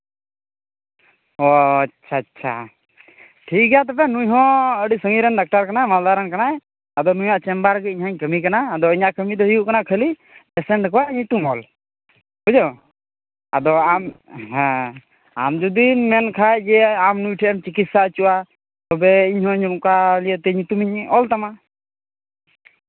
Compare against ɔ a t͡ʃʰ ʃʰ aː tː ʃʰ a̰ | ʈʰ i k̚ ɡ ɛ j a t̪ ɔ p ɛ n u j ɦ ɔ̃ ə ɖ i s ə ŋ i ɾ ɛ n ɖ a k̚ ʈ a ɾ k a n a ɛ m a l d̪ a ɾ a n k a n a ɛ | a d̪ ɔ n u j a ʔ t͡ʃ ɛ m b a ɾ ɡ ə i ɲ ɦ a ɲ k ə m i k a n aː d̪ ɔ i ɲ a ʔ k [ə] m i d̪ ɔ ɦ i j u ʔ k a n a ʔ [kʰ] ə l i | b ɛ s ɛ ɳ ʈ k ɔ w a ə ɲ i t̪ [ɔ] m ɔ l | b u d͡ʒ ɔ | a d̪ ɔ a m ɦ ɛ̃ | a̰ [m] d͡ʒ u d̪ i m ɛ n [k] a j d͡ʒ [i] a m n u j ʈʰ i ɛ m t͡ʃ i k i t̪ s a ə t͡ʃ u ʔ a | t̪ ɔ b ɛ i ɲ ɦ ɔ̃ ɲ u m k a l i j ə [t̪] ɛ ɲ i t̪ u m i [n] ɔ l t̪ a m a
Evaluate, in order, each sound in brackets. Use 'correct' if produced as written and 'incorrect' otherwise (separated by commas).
correct, correct, incorrect, correct, incorrect, incorrect, correct, incorrect